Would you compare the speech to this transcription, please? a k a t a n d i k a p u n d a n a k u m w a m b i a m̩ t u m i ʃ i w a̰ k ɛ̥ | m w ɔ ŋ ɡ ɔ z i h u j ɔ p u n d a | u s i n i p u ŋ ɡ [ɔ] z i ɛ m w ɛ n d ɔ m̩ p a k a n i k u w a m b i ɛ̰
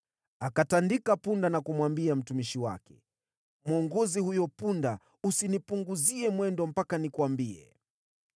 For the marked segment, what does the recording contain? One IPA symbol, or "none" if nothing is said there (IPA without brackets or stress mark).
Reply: u